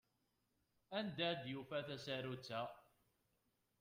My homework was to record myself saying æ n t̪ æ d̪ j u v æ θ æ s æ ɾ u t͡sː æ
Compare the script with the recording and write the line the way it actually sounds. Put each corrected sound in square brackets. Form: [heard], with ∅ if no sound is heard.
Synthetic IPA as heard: æ n [d̪] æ d̪ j u [f] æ θ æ s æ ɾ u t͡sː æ